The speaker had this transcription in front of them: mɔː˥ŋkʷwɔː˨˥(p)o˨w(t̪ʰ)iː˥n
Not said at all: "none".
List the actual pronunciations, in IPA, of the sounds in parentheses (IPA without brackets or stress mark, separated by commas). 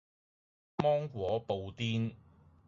p, t̪